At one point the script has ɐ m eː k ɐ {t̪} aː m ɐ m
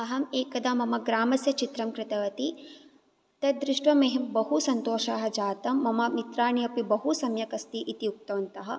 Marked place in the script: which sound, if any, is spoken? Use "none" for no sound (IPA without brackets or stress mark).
d̪